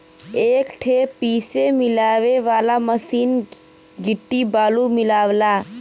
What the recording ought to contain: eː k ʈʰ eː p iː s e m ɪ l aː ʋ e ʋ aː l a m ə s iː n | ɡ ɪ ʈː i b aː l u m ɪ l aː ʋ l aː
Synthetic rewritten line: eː k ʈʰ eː p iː s e m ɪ l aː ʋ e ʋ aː l a m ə s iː n | ɡ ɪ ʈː i b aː l u m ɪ l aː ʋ l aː